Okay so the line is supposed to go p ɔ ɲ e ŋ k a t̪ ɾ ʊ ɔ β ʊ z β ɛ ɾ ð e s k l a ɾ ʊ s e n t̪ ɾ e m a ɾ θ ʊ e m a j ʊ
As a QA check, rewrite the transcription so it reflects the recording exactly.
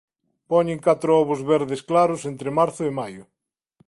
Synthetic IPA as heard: p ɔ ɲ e ŋ k a t̪ ɾ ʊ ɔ β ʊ z β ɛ ɾ ð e s k l a ɾ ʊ s e n t̪ ɾ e m a ɾ θ ʊ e m a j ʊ